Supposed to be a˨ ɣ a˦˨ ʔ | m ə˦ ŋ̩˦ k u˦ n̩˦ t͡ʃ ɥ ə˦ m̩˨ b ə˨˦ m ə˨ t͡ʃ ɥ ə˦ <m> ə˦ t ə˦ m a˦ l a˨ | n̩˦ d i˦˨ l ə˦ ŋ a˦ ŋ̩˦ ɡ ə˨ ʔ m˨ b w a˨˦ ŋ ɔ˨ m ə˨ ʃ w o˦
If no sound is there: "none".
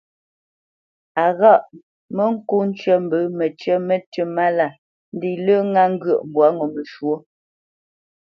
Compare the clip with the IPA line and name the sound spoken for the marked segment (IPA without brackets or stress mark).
m